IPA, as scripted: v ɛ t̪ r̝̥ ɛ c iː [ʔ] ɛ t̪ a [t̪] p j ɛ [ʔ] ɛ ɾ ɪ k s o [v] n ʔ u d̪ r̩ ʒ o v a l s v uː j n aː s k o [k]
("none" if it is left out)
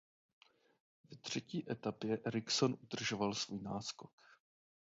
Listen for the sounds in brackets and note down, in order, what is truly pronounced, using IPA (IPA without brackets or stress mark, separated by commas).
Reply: ʔ, none, ʔ, none, k